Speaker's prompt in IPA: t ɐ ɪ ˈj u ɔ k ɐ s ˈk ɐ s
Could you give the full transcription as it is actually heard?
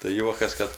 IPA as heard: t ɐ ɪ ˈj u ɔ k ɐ s ˈk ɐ t